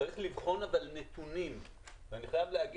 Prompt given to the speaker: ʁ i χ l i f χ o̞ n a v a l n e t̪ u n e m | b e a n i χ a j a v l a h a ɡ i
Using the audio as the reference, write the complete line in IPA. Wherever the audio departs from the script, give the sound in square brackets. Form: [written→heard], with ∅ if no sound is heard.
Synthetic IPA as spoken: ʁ i χ l i [f→v] χ o̞ n a v a l n e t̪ u n [e→i] m | [b→v] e a n i χ a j a v l [a→e] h a ɡ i